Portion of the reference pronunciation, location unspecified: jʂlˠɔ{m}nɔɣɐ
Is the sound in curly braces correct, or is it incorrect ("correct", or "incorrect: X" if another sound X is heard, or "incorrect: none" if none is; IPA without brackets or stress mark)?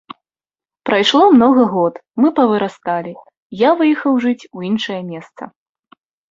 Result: correct